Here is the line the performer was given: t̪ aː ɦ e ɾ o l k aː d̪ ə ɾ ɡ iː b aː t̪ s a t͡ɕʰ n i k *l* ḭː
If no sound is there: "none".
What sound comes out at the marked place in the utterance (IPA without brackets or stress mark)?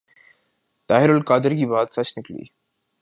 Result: l